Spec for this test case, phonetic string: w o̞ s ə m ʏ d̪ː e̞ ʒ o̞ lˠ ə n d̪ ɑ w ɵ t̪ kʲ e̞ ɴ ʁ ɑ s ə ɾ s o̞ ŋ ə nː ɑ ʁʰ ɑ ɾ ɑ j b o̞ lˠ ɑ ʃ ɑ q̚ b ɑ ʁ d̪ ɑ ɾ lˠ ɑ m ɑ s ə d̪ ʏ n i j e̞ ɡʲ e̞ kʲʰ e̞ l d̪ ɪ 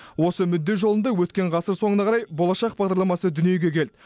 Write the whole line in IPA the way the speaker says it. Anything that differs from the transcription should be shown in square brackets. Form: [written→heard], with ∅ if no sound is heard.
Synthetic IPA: w o̞ s ə m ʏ d̪ː e̞ ʒ o̞ lˠ ə n d̪ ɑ w ɵ t̪ kʲ e̞ ɴ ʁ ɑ s ə ɾ s o̞ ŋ ə [nː→n] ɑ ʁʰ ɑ ɾ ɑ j b o̞ lˠ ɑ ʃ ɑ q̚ b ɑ ʁ d̪ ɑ ɾ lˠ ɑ m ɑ s ə d̪ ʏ n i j e̞ ɡʲ e̞ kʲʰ e̞ l d̪ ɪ